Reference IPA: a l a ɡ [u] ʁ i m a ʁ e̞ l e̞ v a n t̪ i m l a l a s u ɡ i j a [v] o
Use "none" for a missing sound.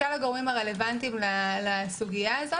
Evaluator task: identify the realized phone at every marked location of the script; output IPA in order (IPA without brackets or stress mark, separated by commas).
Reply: o, z